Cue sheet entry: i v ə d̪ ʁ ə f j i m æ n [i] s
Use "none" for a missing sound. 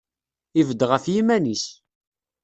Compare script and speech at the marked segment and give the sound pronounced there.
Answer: i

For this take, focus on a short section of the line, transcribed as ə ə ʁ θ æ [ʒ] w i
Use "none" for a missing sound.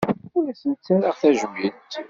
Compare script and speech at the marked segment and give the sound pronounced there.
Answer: ʒ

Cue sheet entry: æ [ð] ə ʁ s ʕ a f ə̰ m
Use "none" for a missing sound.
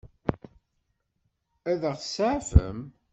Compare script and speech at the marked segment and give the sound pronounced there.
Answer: ð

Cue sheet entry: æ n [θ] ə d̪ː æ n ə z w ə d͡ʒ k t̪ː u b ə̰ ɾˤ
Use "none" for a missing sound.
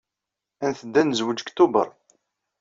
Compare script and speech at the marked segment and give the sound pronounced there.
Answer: θ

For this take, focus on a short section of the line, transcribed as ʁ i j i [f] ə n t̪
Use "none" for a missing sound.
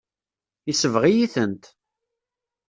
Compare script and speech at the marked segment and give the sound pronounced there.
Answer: θ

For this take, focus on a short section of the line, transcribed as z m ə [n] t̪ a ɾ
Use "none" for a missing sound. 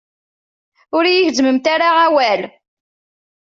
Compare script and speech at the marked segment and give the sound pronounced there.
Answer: m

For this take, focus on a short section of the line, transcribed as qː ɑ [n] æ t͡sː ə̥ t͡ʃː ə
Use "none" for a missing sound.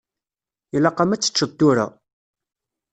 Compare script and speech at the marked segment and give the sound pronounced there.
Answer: m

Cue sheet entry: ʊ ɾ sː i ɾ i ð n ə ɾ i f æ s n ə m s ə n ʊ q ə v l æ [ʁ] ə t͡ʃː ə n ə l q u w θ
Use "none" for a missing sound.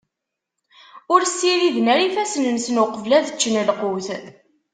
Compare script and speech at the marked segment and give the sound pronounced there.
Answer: ð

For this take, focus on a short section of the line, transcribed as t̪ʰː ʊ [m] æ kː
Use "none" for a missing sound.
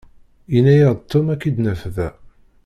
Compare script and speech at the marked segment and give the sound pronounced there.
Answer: m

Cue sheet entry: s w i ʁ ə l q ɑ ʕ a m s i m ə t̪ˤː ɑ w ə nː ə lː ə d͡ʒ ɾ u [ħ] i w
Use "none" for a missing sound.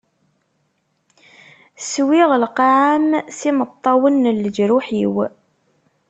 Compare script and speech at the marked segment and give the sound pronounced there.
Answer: ħ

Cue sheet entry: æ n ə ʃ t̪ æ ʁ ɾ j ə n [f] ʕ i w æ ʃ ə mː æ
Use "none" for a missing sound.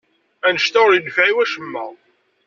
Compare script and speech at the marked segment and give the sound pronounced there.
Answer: f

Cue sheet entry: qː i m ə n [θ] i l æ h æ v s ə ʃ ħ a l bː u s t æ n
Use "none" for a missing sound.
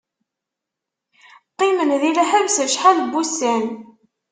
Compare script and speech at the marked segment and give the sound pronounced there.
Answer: ð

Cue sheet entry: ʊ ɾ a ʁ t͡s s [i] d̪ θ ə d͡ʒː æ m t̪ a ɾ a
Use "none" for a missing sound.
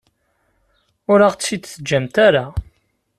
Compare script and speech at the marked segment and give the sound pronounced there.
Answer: i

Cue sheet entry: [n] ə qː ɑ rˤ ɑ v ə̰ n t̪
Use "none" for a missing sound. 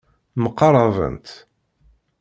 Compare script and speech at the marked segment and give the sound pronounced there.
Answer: m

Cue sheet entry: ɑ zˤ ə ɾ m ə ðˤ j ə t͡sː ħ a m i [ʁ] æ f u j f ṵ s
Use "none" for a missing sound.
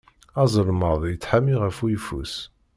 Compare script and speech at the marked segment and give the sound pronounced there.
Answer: ʁ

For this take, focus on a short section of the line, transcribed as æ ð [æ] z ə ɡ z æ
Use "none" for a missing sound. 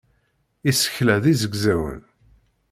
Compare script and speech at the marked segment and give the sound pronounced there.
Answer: i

